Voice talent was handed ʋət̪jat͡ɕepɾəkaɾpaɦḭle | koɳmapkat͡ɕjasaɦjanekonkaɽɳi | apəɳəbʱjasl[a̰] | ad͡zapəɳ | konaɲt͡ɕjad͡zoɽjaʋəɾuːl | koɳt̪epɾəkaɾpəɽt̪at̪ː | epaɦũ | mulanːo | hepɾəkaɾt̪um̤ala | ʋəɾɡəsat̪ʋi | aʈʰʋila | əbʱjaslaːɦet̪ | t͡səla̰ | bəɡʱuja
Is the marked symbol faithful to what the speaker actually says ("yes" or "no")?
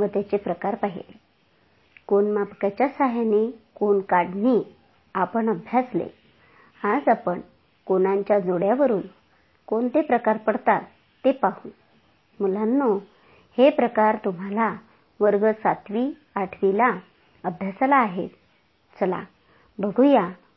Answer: no